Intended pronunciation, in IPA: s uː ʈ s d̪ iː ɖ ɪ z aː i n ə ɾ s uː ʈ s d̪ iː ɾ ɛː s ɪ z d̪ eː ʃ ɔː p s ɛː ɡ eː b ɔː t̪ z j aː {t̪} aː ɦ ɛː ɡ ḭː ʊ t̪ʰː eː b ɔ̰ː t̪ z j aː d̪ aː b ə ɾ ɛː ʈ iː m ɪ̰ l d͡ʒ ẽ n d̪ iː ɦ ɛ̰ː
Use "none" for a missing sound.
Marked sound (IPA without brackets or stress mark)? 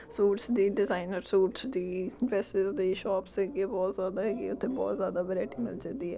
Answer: d̪